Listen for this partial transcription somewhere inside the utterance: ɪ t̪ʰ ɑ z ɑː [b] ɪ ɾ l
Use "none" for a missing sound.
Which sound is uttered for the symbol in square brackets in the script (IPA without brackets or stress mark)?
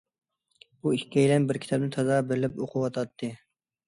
b